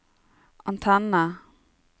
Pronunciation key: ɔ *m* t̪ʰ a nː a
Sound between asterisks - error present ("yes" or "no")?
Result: yes